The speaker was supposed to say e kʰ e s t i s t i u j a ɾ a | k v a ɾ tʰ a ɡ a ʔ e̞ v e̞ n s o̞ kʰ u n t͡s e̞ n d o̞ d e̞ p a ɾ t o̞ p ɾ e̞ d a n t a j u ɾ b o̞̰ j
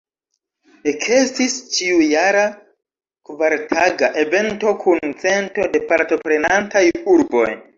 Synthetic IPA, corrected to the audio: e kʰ e s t i s t͡ʃ i u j a ɾ a | k v a ɾ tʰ a ɡ a ʔ e̞ v e̞ n t o̞ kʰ u n t͡s e̞ n t o̞ d e̞ p a ɾ t o̞ p ɾ e̞ n a n t a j u ɾ b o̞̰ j